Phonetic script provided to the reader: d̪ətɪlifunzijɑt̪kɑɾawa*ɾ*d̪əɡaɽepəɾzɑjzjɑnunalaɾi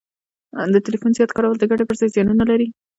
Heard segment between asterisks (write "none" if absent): l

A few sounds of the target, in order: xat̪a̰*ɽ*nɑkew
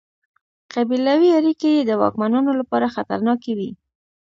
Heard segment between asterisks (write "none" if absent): ɾ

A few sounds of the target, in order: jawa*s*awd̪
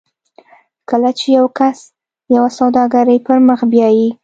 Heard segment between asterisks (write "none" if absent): s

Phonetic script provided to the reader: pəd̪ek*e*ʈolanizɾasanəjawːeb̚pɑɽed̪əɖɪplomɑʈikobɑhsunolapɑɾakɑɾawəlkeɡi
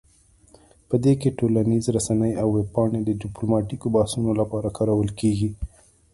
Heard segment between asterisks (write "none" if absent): e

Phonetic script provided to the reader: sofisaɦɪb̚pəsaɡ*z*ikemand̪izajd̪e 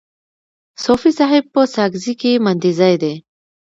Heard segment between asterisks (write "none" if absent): z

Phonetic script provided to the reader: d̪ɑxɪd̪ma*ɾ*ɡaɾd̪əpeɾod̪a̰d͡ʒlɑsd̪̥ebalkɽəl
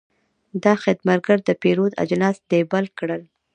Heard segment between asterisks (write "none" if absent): ɾ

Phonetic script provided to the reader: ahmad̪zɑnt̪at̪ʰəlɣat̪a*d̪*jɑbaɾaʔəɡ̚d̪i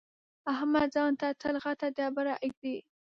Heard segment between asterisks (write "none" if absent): d̪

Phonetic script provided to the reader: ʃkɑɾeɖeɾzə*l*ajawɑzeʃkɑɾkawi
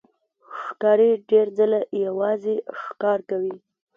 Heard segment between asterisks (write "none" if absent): l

